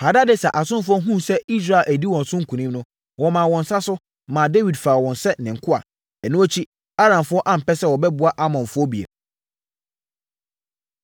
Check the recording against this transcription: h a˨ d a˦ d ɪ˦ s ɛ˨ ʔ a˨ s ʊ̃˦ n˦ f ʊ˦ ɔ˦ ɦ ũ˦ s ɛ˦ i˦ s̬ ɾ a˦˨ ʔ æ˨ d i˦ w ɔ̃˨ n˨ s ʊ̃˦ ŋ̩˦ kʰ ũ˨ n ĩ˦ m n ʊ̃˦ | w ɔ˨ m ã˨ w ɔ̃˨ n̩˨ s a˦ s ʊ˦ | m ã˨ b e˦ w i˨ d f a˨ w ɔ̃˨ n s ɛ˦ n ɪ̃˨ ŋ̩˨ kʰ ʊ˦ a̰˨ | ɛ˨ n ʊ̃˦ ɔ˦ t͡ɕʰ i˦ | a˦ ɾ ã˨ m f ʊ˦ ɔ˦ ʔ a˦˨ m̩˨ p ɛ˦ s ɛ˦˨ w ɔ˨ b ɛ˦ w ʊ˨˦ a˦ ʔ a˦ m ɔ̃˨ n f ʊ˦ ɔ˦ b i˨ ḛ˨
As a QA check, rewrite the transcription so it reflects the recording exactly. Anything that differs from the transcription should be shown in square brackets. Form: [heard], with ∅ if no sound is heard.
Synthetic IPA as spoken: h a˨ d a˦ d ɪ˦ s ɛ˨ ʔ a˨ s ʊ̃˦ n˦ f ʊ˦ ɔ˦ ɦ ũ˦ s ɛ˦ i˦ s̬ ɾ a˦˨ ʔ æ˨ d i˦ w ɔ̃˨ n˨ s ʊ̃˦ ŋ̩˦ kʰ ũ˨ n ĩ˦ m n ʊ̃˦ | w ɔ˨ m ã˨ w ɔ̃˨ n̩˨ s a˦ s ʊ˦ | m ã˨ [d] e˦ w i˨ d f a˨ w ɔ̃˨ n s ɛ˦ n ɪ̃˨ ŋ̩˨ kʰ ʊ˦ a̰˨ | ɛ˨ n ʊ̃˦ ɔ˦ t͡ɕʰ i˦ | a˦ ɾ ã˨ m f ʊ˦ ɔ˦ ʔ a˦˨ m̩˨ p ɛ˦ s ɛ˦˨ w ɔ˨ b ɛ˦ [b] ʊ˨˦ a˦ ʔ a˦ m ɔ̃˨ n f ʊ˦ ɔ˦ b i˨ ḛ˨

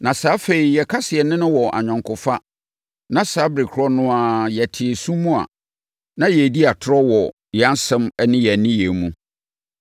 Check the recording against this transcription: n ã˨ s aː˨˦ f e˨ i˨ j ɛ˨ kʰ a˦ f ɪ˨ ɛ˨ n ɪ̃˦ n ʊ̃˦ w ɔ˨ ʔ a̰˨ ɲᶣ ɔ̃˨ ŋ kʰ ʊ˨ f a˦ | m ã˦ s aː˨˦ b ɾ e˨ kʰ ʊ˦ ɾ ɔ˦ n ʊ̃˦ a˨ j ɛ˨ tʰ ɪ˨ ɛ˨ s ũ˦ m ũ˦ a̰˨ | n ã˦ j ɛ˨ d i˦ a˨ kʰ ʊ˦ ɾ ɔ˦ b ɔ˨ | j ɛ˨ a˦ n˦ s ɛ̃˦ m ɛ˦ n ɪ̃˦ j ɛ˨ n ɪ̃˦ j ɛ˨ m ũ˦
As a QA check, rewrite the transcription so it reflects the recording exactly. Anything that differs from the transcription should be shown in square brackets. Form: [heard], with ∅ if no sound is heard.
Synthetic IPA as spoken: n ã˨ s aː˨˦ f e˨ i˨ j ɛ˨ kʰ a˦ [s] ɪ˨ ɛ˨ n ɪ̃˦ n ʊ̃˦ w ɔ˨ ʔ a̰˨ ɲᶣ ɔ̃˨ ŋ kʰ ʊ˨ f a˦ | [n] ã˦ s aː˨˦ b ɾ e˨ kʰ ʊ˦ ɾ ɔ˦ n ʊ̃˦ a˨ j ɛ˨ tʰ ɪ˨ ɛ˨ s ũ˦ m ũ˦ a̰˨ | n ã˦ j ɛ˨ d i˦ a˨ [tʰ] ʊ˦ ɾ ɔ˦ [w] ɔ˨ | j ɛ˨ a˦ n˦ s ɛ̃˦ m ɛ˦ n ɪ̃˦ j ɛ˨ n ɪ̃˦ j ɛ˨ m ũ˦

